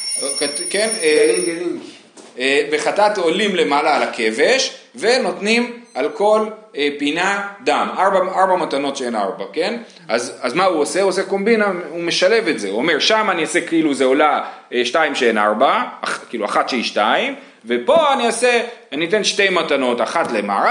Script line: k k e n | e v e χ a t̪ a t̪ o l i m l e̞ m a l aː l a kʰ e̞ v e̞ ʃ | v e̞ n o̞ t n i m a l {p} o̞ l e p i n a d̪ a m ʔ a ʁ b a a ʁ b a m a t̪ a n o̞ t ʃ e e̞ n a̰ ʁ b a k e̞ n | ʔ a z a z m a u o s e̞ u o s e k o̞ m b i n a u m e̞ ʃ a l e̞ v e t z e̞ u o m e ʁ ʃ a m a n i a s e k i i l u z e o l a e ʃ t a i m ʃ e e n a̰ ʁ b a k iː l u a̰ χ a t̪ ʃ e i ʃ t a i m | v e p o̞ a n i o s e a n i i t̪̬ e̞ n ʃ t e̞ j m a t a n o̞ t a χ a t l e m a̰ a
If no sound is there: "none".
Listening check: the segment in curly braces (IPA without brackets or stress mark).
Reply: k